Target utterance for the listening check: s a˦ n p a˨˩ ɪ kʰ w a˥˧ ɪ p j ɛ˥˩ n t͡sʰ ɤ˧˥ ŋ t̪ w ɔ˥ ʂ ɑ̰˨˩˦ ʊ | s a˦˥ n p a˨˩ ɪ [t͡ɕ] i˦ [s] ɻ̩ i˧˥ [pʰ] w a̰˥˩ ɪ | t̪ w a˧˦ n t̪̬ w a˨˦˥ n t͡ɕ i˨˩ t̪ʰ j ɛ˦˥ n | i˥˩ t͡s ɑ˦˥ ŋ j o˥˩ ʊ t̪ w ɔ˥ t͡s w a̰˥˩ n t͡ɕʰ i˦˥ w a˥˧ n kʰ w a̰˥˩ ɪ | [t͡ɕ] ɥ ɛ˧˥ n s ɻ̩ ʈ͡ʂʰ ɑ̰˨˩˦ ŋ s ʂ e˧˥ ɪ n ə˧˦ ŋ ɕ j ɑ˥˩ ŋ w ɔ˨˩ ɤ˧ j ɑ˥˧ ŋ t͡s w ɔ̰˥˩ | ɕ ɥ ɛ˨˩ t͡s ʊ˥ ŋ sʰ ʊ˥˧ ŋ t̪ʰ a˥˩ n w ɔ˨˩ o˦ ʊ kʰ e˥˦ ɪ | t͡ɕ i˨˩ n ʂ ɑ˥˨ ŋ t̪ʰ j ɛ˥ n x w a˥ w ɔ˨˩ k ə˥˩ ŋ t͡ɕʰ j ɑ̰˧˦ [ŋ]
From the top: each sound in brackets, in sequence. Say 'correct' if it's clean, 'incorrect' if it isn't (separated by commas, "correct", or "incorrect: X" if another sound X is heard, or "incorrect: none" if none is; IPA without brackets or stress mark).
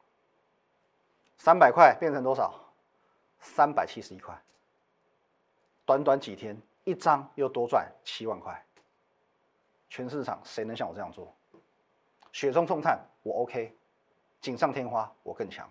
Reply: incorrect: t͡ɕʰ, incorrect: ʂ, incorrect: kʰ, incorrect: t͡ɕʰ, correct